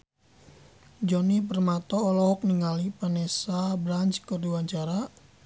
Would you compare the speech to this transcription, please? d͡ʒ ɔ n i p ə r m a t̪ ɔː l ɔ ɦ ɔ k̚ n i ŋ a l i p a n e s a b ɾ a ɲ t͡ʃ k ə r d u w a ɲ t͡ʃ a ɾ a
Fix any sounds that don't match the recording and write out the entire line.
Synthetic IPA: d͡ʒ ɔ n i p ə r m a t̪ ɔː l ɔ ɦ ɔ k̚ n i ŋ a l i p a n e s a b ɾ a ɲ t͡ʃ k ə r d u w a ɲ t͡ʃ a ɾ a